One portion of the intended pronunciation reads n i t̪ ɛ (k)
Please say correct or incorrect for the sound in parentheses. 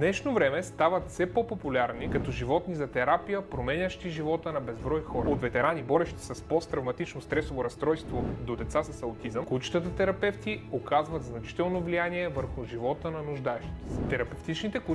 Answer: correct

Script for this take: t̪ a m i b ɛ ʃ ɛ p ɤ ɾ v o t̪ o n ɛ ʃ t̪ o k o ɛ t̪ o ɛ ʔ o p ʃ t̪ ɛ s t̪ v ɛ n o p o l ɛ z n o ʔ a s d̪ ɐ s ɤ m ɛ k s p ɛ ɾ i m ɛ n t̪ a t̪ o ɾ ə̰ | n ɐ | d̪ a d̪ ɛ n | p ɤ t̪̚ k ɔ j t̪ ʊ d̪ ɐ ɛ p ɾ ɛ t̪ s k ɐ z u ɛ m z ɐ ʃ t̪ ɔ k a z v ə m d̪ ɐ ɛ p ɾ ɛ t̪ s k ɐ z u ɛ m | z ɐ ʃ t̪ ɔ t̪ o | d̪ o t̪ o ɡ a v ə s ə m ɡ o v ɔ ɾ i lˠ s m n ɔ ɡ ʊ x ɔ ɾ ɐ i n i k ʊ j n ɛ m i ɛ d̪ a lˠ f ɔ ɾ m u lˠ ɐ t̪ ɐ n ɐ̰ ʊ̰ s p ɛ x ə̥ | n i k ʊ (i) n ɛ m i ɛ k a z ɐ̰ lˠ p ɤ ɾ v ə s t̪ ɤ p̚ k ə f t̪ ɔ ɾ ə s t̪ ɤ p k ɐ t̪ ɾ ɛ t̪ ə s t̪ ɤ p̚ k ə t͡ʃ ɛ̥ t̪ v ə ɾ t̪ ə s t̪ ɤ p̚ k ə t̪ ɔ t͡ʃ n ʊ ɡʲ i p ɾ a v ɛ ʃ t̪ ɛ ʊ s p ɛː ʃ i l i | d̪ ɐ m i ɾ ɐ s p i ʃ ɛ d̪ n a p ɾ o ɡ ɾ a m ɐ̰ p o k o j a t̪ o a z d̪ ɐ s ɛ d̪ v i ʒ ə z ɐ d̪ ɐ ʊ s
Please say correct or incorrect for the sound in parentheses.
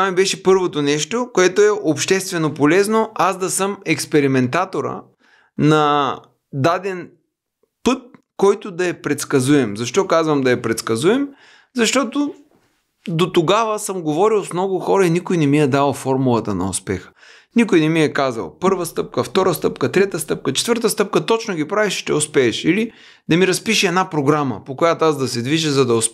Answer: incorrect: j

